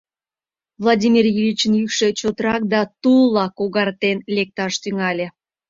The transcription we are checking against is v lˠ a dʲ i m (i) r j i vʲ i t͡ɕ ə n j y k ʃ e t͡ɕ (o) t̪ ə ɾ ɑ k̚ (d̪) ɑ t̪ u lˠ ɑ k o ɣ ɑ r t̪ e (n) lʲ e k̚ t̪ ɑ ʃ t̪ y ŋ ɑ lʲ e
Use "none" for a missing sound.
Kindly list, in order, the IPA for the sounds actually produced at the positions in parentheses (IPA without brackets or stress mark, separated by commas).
i, o, d̪, n